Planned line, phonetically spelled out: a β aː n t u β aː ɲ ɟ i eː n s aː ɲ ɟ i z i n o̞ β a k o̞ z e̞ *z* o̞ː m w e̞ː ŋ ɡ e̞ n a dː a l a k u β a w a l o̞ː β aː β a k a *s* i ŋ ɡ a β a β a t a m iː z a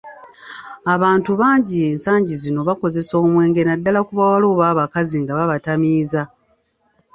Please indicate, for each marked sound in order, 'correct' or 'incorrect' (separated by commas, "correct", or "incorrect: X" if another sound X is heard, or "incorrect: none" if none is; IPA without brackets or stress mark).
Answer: incorrect: s, incorrect: z